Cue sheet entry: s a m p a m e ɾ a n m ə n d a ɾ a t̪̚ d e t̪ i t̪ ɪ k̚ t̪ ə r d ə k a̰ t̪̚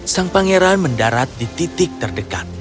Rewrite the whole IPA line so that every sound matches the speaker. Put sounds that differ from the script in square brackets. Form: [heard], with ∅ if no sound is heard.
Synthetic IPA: s a [ŋ] p a [ŋ] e ɾ a n m ə n d a ɾ a t̪̚ d [i] t̪ i t̪ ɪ k̚ t̪ ə r d ə k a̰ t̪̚